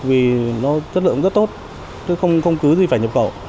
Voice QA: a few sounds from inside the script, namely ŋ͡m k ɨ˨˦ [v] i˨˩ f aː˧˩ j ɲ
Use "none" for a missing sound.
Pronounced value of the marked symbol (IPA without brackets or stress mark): z